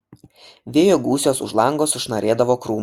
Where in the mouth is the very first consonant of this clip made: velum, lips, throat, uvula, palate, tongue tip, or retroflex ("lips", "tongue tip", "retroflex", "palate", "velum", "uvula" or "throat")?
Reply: lips